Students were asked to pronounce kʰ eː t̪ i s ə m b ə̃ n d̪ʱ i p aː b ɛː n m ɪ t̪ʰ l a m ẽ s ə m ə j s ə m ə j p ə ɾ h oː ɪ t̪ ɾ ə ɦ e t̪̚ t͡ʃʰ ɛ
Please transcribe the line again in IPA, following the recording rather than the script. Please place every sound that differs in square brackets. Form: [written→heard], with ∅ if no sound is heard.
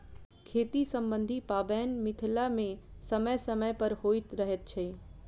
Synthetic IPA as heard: kʰ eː t̪ i s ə m b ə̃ n d̪ʱ i p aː b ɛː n m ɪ t̪ʰ l a m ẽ s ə m ə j s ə m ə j p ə ɾ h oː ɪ t̪ ɾ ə ɦ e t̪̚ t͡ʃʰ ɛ